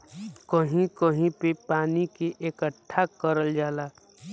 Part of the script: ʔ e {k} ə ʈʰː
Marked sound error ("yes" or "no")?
no